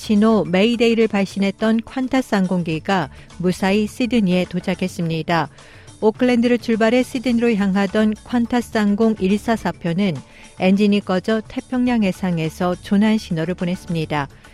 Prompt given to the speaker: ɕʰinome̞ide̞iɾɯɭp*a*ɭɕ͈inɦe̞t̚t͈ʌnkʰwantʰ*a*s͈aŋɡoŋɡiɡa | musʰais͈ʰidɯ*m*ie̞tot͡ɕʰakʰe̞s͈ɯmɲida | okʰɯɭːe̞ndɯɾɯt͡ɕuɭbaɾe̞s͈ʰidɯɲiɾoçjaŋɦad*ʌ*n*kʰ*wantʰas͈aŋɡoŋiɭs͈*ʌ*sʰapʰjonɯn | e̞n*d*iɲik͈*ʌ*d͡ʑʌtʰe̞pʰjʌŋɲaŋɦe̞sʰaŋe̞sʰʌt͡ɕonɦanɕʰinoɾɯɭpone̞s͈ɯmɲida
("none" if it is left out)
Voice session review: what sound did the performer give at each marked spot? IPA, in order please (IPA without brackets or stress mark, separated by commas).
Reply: a, a, ɲ, ʌ, kʰ, a, d͡ʑ, ʌ